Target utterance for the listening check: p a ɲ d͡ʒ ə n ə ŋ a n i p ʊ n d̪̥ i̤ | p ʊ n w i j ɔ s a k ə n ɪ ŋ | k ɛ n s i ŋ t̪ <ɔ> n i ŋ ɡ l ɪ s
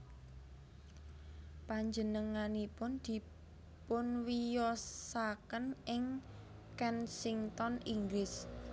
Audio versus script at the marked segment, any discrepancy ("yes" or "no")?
no